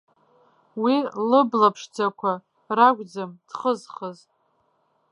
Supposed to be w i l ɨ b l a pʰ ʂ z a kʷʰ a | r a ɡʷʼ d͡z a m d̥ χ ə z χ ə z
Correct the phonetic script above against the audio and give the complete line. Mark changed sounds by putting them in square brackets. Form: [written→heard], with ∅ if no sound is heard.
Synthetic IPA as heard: w i l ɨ b l a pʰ ʂ [z→d͡z] a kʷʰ a | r a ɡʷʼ d͡z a m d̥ χ ə z χ ə z